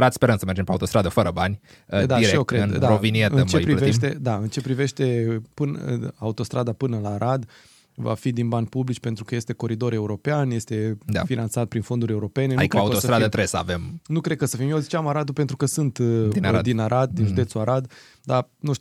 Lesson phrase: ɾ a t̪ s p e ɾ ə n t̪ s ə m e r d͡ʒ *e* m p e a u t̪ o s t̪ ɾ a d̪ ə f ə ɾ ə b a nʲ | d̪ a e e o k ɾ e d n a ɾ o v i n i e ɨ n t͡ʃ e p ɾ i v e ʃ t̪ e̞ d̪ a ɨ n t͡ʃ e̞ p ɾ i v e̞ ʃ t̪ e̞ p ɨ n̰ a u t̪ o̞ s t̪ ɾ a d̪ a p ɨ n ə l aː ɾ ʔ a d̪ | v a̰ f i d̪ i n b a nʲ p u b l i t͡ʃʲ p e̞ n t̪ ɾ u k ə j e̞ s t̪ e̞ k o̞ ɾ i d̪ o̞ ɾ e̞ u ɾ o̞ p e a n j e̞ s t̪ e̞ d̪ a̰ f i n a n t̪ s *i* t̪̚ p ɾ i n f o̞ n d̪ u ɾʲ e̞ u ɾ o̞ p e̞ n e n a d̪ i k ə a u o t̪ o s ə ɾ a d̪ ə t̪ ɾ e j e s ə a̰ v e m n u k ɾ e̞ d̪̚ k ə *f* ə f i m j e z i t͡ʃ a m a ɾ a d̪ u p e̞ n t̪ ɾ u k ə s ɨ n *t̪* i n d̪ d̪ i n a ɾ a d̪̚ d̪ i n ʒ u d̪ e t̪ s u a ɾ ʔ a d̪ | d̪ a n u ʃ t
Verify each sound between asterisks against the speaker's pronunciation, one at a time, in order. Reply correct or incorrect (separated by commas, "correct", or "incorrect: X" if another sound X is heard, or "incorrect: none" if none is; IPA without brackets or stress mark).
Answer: correct, incorrect: a, incorrect: s, correct